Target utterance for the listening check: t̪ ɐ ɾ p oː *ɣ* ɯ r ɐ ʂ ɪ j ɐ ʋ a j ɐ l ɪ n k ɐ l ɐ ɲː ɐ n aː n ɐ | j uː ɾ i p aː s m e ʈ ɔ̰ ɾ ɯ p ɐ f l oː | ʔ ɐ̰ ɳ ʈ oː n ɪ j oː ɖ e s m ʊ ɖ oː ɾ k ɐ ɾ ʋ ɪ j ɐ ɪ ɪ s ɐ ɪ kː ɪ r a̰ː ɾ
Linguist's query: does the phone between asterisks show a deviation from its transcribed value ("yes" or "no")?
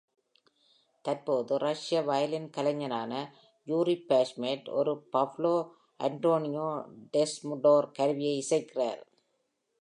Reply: yes